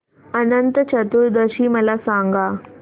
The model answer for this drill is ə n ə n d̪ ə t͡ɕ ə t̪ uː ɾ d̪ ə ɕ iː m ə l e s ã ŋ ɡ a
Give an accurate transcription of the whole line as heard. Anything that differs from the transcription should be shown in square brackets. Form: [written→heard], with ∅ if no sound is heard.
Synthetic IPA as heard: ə n ə n [d̪→t̪] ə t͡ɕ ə t̪ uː ɾ d̪ ə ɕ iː m ə l [e→a] s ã ŋ ɡ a